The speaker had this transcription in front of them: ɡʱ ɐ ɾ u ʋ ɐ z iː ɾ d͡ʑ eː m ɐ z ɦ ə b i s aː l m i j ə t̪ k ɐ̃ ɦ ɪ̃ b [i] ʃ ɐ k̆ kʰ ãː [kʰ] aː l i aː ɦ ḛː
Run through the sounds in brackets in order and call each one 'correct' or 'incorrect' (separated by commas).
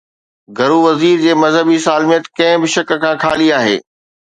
incorrect, correct